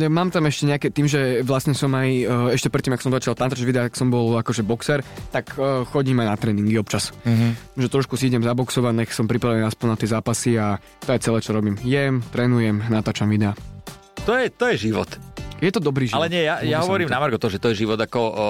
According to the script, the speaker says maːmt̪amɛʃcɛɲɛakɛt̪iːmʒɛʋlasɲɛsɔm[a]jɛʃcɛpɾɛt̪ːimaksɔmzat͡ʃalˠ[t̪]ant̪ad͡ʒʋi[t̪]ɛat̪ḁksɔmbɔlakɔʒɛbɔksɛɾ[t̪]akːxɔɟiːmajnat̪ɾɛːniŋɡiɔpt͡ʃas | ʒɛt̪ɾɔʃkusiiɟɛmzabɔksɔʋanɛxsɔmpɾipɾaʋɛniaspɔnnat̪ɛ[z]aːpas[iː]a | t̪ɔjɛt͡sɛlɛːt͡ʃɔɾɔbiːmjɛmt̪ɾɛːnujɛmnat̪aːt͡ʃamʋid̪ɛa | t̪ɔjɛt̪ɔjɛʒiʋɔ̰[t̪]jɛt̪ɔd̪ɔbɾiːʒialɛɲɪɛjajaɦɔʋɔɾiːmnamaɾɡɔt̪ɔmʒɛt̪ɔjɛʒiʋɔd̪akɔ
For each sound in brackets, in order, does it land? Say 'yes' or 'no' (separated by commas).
yes, yes, no, yes, yes, no, yes